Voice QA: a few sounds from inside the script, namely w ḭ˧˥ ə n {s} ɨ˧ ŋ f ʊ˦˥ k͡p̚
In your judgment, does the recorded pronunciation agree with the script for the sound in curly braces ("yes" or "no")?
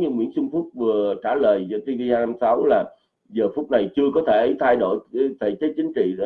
yes